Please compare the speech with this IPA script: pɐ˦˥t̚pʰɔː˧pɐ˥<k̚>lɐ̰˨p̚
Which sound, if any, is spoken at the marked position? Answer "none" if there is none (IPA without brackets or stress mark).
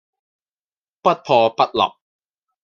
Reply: t̚